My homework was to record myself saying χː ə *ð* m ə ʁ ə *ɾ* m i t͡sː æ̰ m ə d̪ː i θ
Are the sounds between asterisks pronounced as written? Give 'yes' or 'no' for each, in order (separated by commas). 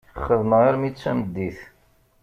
yes, yes